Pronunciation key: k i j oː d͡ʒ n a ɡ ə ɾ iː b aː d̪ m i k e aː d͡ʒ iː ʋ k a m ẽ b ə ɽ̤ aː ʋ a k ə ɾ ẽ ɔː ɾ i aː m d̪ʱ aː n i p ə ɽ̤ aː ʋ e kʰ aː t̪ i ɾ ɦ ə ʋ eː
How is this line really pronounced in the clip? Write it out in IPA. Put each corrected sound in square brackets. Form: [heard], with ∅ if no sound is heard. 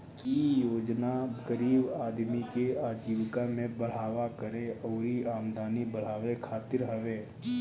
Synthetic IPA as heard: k i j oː d͡ʒ n a ɡ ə ɾ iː b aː d̪ m i k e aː d͡ʒ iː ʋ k a m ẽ b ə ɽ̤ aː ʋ a k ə ɾ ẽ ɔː ɾ i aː m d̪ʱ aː n i [b] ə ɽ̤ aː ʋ e kʰ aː t̪ [ɪ] ɾ ɦ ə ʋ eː